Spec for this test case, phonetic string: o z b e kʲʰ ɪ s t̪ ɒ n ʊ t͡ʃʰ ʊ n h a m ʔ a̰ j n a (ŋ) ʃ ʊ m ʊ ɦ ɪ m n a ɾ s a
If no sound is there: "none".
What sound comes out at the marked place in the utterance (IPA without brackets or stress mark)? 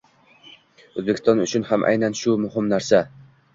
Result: n